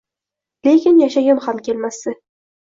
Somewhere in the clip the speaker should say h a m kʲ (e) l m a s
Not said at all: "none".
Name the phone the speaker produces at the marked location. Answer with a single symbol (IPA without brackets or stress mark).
e